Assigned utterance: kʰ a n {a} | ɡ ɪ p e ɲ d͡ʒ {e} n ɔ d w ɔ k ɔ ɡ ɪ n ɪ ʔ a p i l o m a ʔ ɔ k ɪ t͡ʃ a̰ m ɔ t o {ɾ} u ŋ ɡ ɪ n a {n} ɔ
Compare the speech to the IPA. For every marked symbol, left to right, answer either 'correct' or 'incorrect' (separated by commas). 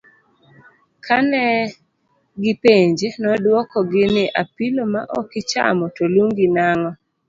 incorrect, correct, incorrect, incorrect